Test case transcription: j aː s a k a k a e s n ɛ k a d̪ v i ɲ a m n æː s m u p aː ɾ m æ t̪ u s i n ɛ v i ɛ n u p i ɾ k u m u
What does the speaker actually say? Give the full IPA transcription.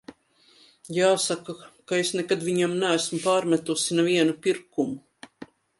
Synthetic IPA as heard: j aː s a k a k a e s n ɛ k a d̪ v i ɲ a m n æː s m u p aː ɾ m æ t̪ u s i n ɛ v i ɛ n u p i ɾ k u m u